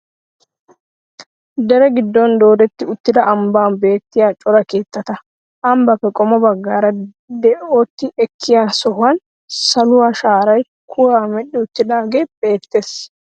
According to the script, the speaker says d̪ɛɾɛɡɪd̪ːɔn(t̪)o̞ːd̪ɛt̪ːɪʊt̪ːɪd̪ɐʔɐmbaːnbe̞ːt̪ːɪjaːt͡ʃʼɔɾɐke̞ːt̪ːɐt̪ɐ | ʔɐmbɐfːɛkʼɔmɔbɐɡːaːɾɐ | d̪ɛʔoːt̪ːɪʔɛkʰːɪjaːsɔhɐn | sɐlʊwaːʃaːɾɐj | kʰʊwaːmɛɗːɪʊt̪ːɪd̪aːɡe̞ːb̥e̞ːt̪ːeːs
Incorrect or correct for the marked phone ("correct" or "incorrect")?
incorrect